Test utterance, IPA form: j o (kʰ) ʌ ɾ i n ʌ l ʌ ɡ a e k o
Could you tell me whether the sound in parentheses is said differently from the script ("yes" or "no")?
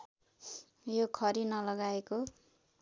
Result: no